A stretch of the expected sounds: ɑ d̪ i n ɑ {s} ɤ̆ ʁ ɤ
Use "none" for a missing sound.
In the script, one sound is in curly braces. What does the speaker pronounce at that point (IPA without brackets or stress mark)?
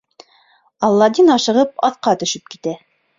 ʃ